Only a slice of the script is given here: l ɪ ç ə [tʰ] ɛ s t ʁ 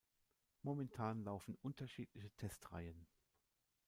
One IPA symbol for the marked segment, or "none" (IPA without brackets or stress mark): tʰ